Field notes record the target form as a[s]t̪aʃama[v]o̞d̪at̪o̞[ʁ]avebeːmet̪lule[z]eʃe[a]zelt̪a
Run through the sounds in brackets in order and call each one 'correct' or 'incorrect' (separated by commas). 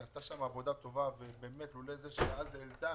correct, correct, incorrect, correct, correct